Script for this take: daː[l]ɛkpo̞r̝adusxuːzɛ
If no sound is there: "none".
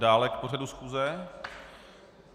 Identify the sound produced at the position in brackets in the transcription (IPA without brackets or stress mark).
l